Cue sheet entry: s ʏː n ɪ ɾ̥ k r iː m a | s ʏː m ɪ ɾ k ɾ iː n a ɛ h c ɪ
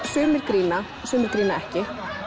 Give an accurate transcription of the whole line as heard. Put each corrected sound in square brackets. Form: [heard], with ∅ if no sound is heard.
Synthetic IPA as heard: s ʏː [m] ɪ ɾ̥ k [ɾ] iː [n] a | s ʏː m ɪ ɾ k ɾ iː n a ɛ h c ɪ

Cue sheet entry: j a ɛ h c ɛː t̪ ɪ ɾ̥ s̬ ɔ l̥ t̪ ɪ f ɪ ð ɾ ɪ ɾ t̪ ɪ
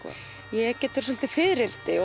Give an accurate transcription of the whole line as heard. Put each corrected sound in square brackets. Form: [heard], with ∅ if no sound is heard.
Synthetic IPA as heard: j [ɛ] ɛ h c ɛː t̪ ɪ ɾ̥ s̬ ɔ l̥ t̪ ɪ f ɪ ð ɾ ɪ [l] t̪ ɪ

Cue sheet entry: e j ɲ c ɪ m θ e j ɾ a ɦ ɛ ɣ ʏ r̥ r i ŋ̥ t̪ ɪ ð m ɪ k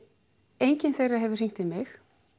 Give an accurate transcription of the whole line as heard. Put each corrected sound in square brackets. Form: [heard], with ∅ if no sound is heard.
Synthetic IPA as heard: e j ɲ c ɪ [n] θ e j [r] a ɦ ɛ [v] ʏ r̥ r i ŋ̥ t̪ ɪ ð m ɪ [x]

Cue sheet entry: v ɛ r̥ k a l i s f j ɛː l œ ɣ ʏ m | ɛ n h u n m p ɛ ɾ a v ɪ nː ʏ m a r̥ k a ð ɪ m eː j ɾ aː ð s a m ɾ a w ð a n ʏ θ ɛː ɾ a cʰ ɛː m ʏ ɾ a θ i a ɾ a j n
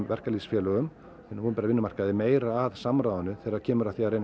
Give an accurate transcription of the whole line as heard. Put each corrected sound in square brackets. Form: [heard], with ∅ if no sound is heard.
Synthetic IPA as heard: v ɛ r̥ k a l i s f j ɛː l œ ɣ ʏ m | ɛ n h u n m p ɛ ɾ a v ɪ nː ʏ m a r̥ k a ð ɪ m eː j ɾ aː ð s a m ɾ a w ð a n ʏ θ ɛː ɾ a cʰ ɛː m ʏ ɾ a θ i a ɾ [e] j n

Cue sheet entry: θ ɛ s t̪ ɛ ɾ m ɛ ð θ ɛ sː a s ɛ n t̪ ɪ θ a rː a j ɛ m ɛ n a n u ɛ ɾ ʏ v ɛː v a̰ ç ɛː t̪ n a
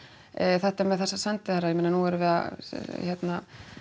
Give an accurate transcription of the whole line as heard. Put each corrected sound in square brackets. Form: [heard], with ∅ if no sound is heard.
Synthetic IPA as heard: θ ɛ [h] t̪ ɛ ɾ m ɛ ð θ ɛ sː a s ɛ n t̪ ɪ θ a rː a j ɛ m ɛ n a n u ɛ ɾ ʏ v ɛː [ð] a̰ ç [ɛ] t̪ n a

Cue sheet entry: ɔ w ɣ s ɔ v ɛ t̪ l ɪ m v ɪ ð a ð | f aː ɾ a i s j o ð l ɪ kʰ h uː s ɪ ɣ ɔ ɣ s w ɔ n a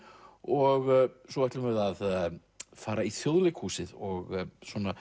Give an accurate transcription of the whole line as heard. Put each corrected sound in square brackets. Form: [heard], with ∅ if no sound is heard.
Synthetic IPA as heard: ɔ [∅] ɣ s ɔ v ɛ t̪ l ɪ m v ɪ ð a ð | f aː ɾ a i [θ] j o ð l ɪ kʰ h uː s ɪ [ð] ɔ ɣ s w ɔ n a

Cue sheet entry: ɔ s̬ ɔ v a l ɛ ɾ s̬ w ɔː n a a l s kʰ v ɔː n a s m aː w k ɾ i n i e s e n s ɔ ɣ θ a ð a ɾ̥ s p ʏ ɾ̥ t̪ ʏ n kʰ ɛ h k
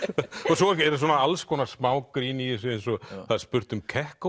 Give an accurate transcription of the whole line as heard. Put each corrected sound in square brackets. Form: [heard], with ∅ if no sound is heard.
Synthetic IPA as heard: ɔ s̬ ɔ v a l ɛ ɾ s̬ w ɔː n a a l s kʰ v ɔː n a s m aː w k ɾ i n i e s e n s ɔ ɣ θ a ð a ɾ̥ s p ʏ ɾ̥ t̪ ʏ [m] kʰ ɛ h k

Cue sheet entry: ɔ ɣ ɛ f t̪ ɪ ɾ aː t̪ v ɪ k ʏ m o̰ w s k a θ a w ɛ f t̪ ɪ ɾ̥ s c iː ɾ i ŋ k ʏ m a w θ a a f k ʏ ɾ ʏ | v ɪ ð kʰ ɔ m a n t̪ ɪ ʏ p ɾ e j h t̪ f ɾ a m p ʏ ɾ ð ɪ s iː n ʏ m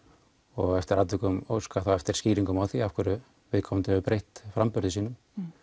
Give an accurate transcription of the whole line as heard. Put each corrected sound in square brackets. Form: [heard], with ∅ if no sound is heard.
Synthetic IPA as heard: ɔ ɣ ɛ f t̪ ɪ ɾ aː t̪ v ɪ k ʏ m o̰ w s k a θ a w ɛ f t̪ ɪ ɾ̥ s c iː ɾ i ŋ k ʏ m a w θ [i] a f k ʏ ɾ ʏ | v ɪ ð kʰ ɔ m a n t̪ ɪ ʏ p ɾ e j h t̪ f ɾ a m p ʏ ɾ ð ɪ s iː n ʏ m

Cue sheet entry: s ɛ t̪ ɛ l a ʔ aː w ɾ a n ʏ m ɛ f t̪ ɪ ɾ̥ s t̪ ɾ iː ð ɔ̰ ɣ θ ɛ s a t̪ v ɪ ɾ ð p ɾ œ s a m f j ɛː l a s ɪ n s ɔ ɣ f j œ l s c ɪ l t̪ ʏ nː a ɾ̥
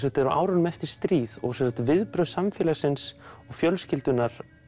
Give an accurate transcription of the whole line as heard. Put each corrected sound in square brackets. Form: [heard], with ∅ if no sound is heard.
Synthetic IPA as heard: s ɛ t̪ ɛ [ɾ] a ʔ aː w ɾ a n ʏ m ɛ f t̪ ɪ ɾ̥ s t̪ ɾ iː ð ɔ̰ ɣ [s] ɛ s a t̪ v ɪ [∅] ð p ɾ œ s a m f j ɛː l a s ɪ n s ɔ ɣ f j œ l s c ɪ l t̪ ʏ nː a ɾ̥

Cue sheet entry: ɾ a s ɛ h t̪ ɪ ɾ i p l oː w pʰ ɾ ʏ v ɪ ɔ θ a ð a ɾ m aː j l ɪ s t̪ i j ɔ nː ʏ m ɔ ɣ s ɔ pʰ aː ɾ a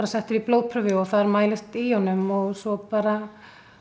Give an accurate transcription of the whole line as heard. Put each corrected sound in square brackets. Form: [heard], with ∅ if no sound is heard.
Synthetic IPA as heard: ɾ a s ɛ h t̪ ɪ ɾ i p l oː w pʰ ɾ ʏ v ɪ ɔ θ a ð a ɾ m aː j l ɪ s t̪ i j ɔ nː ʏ m ɔ ɣ s ɔ [p] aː ɾ a

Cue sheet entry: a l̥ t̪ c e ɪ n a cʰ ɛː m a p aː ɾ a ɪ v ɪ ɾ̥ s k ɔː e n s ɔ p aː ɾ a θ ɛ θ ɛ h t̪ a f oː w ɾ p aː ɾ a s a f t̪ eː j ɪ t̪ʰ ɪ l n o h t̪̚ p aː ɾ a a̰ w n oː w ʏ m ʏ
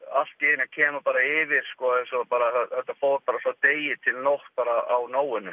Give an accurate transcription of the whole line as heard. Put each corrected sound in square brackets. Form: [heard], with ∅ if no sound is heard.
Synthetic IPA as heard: a l̥ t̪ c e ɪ n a cʰ ɛː m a p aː ɾ a ɪ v ɪ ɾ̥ s k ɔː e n s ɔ p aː ɾ a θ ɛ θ ɛ h t̪ a f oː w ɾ p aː ɾ a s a [∅] t̪ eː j ɪ t̪ʰ ɪ l n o h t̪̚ p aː ɾ a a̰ w n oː w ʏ [n] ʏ

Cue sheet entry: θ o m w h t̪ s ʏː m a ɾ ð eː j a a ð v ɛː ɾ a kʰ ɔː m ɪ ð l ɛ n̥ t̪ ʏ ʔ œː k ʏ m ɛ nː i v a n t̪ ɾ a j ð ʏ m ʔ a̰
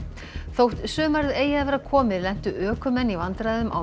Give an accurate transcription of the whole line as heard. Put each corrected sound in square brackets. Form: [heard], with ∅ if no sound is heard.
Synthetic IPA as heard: θ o [∅] w h t̪ s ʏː m a ɾ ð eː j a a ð v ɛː ɾ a kʰ ɔː m ɪ ð l ɛ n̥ t̪ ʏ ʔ œː k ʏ m ɛ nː i v a n t̪ ɾ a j ð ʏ m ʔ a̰

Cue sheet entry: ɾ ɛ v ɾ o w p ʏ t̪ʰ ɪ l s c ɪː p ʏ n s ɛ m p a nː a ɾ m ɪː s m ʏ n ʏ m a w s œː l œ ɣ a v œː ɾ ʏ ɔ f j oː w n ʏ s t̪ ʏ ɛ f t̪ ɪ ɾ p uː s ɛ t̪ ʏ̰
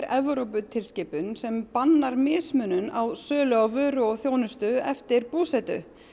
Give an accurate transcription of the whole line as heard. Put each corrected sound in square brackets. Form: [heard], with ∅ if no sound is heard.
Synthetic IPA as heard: ɾ ɛ v ɾ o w p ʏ t̪ʰ ɪ l s c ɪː p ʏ n s ɛ m p a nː a ɾ m ɪː s m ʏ n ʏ [n] a w s œː l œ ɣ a v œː ɾ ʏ ɔ [θ] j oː w n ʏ s t̪ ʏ ɛ f t̪ ɪ ɾ p uː s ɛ t̪ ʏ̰

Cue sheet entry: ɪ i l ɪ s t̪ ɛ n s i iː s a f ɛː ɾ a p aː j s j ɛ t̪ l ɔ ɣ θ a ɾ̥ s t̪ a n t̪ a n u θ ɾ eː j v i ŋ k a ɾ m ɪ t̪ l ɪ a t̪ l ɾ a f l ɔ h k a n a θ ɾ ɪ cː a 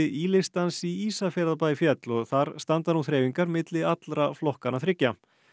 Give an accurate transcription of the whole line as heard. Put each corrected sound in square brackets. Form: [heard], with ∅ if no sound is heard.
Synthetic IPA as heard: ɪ i l ɪ s t̪ [a] n s i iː s a f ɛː ɾ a p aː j [f] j ɛ t̪ l ɔ ɣ θ a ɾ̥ s t̪ a n t̪ a n u θ ɾ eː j v i ŋ k a ɾ m ɪ t̪ l ɪ a t̪ l ɾ a f l ɔ h k a n a θ ɾ ɪ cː a

